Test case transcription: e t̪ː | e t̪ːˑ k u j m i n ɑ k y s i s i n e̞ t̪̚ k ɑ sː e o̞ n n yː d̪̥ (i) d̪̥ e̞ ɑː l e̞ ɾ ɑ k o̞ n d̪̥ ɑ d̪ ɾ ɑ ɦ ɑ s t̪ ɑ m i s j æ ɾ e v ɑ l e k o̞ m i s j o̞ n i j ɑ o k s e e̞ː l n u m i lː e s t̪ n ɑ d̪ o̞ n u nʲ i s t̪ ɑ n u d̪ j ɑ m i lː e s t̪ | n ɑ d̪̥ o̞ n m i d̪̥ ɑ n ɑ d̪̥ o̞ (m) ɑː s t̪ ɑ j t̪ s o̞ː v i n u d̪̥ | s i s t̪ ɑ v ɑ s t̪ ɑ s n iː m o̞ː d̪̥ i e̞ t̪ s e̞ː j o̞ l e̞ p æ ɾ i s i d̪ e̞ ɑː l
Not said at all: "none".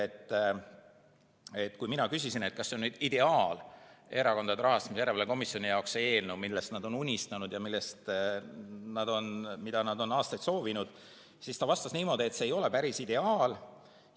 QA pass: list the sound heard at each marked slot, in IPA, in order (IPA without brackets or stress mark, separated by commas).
i, n